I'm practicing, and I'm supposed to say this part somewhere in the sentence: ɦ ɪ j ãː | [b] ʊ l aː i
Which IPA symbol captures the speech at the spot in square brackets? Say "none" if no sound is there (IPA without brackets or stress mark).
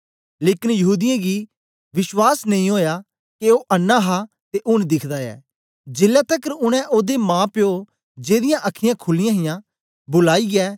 b